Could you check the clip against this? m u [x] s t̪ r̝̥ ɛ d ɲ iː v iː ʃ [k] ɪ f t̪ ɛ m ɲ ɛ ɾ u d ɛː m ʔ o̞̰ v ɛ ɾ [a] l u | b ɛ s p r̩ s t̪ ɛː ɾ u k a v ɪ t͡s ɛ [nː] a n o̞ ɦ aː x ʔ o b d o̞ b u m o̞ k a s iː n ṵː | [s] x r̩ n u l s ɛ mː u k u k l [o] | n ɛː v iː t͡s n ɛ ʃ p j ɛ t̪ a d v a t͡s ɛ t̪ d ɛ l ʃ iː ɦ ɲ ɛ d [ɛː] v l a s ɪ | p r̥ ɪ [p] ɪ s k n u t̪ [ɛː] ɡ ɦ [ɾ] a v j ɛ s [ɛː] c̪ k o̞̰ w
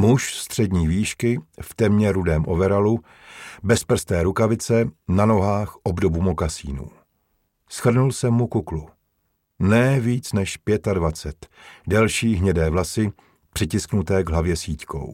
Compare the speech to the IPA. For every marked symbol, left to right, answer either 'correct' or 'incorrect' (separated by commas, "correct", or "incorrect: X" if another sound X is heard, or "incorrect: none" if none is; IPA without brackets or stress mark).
incorrect: ʃ, correct, correct, incorrect: n, correct, incorrect: u, correct, incorrect: c, correct, incorrect: l, incorrect: iː